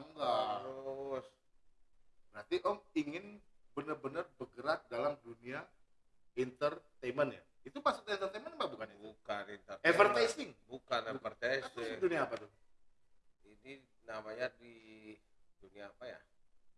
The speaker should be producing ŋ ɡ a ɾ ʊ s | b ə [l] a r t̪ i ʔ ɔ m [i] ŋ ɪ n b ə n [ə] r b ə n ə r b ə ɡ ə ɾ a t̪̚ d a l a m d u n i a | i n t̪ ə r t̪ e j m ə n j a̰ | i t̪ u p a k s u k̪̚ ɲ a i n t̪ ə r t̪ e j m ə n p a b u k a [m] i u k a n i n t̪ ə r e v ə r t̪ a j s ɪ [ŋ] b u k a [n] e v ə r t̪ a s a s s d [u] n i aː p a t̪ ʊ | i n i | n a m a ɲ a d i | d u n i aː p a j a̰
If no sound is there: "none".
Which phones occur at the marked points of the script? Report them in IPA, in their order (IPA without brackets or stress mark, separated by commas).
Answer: ɾ, i, ə, n, ŋ, n, u